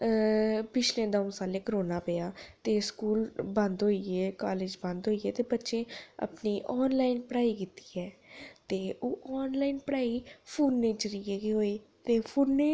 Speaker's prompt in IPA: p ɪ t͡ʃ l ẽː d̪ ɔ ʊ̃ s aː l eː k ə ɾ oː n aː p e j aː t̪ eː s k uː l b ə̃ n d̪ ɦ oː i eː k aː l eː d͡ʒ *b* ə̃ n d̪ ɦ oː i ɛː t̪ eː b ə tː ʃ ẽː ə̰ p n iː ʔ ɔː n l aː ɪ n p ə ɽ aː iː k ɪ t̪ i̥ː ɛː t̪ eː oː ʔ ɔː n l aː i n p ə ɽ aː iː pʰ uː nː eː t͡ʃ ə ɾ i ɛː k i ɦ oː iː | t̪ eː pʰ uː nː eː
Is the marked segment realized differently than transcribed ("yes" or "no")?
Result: no